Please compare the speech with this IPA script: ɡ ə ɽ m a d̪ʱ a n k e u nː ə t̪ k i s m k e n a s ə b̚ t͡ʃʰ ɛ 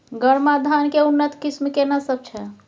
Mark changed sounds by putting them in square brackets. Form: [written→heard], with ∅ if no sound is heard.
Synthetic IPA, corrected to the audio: ɡ ə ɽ m a d̪ʱ a n k e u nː ə t̪ k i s m k e n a s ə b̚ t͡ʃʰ ɛ